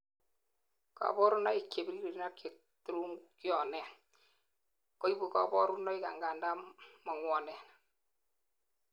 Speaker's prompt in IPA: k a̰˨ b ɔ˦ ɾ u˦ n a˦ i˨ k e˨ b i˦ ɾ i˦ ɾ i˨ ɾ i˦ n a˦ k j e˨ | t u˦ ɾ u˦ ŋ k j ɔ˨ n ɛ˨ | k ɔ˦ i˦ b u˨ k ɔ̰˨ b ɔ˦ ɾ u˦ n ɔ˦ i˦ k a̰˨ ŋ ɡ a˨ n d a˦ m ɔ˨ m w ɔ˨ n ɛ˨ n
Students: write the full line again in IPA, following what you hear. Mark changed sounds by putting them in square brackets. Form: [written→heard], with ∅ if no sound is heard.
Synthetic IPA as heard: k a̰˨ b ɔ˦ ɾ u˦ n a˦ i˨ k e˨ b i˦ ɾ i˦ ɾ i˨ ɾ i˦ n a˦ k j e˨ | t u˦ ɾ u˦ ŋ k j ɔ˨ n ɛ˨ | k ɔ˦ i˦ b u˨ k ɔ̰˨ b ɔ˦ ɾ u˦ n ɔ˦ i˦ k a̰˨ ŋ ɡ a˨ n d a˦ m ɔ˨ [m→ŋ] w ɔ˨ n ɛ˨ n

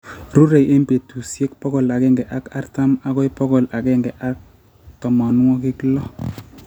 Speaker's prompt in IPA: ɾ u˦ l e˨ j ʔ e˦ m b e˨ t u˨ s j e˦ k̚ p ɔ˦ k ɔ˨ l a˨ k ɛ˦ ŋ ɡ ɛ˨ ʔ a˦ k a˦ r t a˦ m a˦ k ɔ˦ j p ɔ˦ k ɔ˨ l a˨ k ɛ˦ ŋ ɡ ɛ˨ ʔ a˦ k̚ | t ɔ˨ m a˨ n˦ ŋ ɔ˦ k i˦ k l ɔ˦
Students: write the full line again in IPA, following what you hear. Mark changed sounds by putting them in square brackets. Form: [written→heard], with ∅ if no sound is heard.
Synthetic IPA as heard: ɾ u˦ [l→ɾ] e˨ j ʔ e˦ m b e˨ t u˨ s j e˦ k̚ p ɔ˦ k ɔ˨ l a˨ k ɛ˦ ŋ ɡ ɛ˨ ʔ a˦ k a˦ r t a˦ m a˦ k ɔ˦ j p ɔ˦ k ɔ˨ l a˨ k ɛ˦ ŋ ɡ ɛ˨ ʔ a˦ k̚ | t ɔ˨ m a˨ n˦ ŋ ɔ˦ k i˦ k l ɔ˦

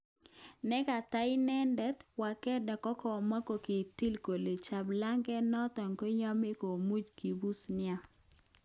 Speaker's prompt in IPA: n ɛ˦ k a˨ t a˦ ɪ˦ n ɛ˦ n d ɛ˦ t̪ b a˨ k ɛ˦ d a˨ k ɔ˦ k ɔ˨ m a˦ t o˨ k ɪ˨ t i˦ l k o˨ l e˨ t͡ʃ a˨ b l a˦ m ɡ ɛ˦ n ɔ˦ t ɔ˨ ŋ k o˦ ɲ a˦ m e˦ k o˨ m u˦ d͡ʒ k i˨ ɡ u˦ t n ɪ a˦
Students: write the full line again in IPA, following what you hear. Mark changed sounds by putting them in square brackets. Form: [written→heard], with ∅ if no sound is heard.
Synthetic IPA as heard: n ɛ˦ k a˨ t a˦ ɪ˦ n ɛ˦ n d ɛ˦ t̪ [b→w] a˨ k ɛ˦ d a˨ k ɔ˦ k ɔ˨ m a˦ [t→k] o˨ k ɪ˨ t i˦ l k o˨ l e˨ t͡ʃ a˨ b l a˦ [m→ŋ] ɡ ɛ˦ n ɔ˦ t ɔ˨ ŋ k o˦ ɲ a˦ m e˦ k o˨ m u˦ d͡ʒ k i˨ [ɡ→b] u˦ [t→s] n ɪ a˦

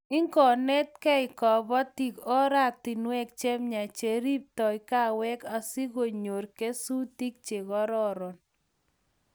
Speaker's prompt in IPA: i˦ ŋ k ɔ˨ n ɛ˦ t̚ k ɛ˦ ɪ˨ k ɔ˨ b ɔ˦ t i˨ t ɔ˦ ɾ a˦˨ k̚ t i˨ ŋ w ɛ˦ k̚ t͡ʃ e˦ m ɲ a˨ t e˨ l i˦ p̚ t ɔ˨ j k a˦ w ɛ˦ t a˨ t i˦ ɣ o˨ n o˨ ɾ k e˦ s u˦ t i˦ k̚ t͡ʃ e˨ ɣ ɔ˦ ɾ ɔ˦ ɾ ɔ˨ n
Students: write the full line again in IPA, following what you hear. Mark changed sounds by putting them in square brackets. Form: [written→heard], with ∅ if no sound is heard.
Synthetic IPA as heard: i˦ ŋ k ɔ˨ n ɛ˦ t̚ k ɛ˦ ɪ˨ k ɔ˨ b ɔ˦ t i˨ [t→k] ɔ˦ ɾ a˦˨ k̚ t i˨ [ŋ→n] w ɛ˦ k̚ t͡ʃ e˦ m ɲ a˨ [t→t͡ʃ] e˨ [l→ɾ] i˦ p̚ t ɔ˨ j k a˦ w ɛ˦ [t→k] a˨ [t→s] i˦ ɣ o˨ [n→ɲ] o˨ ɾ k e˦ s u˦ t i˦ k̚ t͡ʃ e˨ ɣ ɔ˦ ɾ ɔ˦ ɾ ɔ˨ n

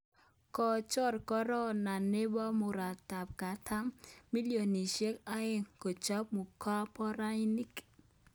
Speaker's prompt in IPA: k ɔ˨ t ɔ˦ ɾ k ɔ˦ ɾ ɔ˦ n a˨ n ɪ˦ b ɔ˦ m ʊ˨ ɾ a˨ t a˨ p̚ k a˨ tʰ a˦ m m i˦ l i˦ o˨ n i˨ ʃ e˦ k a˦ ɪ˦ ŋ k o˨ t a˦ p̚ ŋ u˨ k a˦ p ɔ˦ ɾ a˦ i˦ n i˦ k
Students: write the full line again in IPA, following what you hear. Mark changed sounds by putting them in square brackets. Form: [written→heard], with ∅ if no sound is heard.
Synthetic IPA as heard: k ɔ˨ [t→t͡ʃ] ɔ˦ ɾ k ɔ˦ ɾ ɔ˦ n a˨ n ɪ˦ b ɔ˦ m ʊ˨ ɾ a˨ t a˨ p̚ k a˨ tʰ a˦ m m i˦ l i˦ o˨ n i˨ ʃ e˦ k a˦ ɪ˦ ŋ k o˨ [t→t͡ʃ] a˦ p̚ [ŋ→m] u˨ k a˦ p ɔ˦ ɾ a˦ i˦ n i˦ k

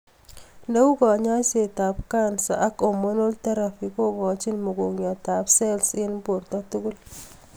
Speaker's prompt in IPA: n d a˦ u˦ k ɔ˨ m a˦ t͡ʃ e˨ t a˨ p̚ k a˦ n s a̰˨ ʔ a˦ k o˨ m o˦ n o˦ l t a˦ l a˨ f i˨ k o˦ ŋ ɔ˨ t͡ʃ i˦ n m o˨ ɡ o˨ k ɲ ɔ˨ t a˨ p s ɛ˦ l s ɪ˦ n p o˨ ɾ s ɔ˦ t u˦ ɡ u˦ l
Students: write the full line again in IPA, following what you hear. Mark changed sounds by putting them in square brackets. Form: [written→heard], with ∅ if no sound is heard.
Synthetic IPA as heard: n d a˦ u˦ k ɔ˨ [m→ɲ] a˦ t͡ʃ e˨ t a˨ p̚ k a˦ n s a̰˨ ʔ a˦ k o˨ m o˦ n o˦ l t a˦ [l→ɾ] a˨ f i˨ k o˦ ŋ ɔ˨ t͡ʃ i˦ n m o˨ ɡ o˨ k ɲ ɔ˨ t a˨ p s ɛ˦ l s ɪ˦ n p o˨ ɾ [s→t] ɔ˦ t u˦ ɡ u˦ l

